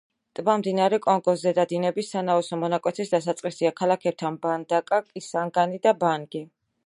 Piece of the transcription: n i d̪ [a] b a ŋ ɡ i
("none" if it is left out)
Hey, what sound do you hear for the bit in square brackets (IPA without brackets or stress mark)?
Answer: a